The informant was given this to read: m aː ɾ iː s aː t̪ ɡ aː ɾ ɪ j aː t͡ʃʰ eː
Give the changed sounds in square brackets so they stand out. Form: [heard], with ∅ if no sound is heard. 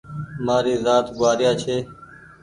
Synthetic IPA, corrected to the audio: m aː ɾ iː [z] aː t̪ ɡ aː ɾ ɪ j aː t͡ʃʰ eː